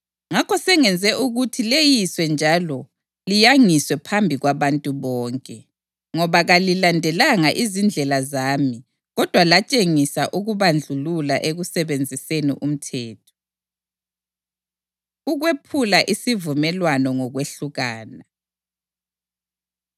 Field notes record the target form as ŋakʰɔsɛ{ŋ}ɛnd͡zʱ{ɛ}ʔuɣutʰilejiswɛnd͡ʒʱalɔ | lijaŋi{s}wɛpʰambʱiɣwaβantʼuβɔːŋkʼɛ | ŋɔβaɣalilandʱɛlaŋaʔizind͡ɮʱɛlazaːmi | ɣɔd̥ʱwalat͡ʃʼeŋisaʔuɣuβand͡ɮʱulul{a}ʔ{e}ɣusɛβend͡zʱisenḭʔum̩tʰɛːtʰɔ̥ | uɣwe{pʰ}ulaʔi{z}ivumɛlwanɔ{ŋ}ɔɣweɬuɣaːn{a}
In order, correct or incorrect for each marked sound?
correct, correct, correct, correct, correct, correct, incorrect: s, correct, correct

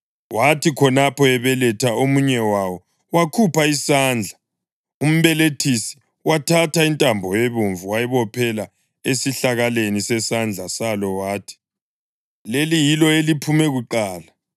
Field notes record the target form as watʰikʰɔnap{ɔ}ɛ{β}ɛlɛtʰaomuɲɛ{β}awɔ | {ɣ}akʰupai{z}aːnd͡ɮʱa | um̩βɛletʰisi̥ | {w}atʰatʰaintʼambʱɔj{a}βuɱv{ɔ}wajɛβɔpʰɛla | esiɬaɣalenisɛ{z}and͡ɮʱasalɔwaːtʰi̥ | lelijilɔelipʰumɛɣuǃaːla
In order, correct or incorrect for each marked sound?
correct, correct, incorrect: w, incorrect: w, incorrect: s, correct, incorrect: e, incorrect: u, incorrect: s

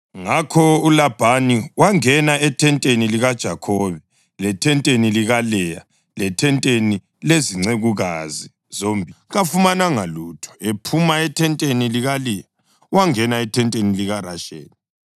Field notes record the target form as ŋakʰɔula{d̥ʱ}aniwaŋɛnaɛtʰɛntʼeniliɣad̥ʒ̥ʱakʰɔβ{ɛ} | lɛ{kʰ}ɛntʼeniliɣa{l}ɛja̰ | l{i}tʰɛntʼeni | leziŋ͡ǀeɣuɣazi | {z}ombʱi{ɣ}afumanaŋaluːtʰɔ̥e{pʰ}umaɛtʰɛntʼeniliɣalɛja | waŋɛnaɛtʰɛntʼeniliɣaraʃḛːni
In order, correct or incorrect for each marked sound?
incorrect: b̥ʱ, correct, incorrect: tʰ, correct, incorrect: ɛ, correct, correct, correct

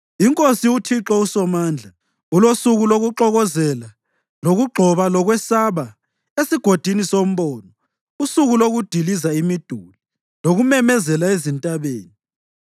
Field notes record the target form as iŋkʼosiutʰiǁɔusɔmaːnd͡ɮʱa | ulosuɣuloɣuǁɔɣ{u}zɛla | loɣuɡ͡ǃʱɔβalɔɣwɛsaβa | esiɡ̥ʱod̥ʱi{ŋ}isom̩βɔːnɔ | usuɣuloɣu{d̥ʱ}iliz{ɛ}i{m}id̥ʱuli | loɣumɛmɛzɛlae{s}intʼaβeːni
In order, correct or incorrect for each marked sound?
incorrect: ɔ, incorrect: n, correct, incorrect: a, correct, incorrect: z

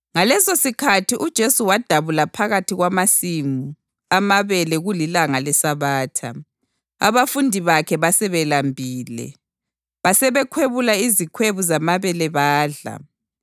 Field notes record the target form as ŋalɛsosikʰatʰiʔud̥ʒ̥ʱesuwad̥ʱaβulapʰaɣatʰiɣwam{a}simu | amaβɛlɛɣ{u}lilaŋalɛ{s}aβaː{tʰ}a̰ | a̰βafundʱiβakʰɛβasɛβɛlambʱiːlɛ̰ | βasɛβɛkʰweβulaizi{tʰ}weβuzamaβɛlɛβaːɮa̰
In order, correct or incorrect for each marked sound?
correct, correct, correct, correct, incorrect: kʰ

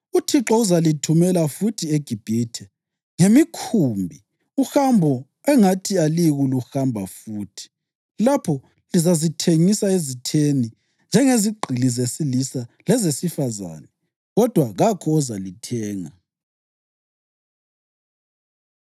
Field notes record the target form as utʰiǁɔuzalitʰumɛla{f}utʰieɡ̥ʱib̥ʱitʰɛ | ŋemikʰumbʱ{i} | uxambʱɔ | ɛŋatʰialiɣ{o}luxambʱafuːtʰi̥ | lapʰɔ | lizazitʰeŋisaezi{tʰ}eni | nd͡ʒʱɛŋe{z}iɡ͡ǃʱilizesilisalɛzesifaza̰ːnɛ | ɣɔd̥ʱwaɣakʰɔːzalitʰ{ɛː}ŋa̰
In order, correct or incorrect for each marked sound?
correct, correct, incorrect: u, correct, correct, correct

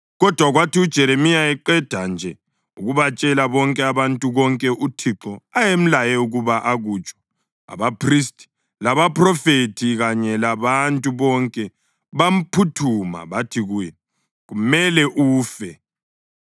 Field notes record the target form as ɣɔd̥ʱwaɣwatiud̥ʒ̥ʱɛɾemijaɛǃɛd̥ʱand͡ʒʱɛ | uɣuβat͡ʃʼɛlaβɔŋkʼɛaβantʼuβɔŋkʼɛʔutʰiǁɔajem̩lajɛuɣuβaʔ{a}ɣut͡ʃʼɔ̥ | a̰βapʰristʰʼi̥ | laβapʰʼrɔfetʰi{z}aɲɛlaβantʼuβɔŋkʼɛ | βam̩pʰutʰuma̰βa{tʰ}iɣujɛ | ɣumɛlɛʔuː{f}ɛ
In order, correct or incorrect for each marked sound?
correct, incorrect: ɣ, correct, correct

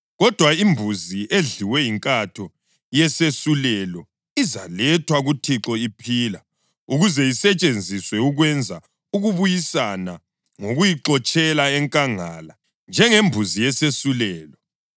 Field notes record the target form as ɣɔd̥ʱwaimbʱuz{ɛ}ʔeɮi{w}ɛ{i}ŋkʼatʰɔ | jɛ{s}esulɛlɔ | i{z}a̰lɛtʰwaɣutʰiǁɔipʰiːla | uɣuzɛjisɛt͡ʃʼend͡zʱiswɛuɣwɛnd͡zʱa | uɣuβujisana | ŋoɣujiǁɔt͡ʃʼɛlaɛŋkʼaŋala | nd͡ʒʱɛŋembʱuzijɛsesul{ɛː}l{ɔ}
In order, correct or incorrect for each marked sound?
incorrect: i, correct, correct, correct, correct, correct, correct

